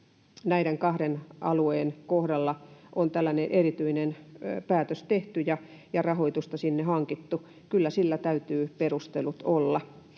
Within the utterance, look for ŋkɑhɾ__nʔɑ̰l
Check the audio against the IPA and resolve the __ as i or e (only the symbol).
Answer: e